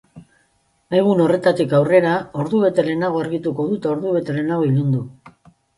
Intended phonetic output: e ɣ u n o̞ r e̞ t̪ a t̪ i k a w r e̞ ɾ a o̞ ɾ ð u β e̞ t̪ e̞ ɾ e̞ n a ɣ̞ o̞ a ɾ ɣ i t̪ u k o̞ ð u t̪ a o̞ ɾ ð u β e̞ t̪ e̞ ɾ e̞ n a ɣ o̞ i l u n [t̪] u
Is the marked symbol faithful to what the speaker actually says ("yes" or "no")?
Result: no